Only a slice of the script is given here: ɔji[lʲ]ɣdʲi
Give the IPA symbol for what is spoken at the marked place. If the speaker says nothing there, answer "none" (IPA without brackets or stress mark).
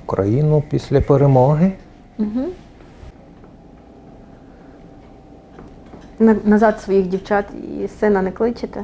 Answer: none